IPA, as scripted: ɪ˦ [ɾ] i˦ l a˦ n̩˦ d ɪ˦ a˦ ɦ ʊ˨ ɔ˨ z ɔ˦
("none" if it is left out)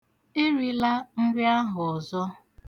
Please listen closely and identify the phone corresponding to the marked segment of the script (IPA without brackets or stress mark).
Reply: ɾ